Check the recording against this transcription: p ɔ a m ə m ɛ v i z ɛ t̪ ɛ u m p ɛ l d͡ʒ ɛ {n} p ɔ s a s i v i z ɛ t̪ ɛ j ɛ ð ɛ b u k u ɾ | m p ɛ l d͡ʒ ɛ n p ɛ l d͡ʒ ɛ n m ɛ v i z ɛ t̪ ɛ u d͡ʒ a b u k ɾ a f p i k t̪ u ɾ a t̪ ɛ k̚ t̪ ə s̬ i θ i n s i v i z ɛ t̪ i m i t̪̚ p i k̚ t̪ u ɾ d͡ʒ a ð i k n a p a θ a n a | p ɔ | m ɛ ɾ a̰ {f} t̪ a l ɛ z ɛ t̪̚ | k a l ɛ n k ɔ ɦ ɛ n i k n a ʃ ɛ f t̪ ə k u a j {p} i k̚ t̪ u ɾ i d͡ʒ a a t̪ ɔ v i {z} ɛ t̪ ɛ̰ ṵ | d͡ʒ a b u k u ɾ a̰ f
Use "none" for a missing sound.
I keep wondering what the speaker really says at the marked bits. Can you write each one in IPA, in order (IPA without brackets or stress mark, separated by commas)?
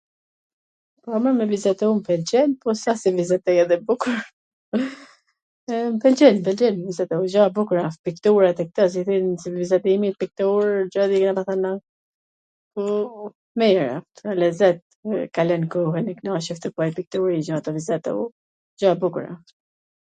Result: n, f, p, z